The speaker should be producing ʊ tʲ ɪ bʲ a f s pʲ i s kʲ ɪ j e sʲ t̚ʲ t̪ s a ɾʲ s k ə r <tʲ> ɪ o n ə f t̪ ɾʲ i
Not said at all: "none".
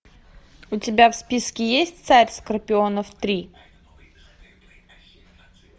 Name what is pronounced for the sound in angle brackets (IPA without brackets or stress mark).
pʲ